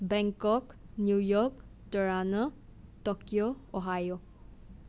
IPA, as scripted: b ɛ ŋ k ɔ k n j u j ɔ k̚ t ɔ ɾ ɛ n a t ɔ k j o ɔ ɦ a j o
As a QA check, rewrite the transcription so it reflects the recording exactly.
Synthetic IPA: b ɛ ŋ k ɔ k n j u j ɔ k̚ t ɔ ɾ a n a t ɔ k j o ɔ ɦ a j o